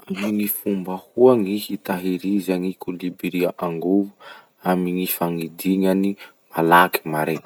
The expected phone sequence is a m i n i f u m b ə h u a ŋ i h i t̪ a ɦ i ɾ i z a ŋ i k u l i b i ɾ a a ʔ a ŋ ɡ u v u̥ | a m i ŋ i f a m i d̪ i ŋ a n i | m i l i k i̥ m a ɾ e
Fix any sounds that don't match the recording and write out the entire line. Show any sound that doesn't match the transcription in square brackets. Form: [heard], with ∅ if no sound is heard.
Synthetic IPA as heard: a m i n i f u m b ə h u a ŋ i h i t̪ a ɦ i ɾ i z a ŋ i k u l i b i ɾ [i] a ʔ a ŋ ɡ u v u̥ | a m i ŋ i f a [ŋ] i d̪ i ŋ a n i | m [a] l [a] k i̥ m a ɾ e

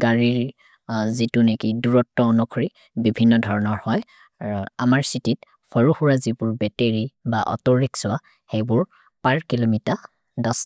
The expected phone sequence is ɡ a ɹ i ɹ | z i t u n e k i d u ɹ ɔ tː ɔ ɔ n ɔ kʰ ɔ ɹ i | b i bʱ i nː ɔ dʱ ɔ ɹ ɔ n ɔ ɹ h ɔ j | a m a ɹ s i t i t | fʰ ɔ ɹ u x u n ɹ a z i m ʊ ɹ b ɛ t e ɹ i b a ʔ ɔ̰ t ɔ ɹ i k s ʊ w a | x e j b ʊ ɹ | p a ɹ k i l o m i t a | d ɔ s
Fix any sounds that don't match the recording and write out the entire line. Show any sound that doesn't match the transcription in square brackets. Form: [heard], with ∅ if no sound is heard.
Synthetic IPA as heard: ɡ a ɹ i ɹ | z i t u n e k i d u ɹ ɔ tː ɔ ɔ n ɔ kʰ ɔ ɹ i | b i bʱ i nː ɔ dʱ ɔ ɹ ɔ n ɔ ɹ h ɔ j | a m a ɹ s i t i t | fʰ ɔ ɹ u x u [∅] ɹ a z i [b] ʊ ɹ b ɛ t e ɹ i b a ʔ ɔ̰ t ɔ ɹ i k s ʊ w a | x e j b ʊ ɹ | p a ɹ k i l o m i t a | d ɔ s

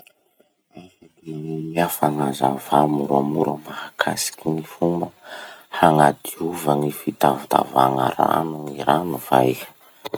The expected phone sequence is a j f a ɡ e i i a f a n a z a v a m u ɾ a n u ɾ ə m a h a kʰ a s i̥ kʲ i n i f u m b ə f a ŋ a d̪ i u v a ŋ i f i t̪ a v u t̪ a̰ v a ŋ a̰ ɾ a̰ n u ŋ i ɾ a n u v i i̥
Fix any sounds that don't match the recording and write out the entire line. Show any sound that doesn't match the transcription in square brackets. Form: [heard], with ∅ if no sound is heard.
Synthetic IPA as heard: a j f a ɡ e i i a f a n a z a v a m u ɾ a [m] u ɾ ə m a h a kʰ a s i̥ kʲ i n i f u m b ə [h] a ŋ a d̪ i u v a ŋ i f i t̪ a v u t̪ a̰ v a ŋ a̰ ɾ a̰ n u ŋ i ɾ a n u v [a] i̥

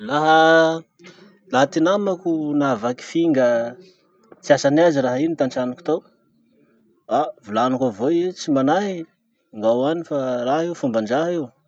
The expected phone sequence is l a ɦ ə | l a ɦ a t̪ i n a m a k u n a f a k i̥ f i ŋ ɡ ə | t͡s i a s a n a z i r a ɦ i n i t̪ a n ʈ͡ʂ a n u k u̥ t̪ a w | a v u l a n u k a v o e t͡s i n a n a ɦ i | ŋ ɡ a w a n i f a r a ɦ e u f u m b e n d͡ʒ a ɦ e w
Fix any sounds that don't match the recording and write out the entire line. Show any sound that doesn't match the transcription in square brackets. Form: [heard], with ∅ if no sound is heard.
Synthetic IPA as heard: l a ɦ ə | l a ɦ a t̪ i n a m a k u n a [v] a k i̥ f i ŋ ɡ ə | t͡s i a s a n a z i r a ɦ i n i t̪ a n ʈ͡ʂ a n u k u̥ t̪ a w | a v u l a n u k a v o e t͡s i [m] a n a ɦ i | ŋ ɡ a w a n i f a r a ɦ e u f u m b [a] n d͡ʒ a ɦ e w

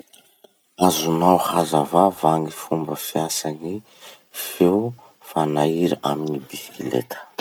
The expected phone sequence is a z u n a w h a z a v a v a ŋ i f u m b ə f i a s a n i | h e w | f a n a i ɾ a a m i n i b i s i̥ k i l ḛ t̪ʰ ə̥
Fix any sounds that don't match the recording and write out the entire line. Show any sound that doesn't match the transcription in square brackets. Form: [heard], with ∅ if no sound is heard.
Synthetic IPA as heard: a z u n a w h a z a v a v a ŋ i f u m b ə f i a s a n i | [f] e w | f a n a i ɾ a a m i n i b i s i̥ k i l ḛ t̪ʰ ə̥

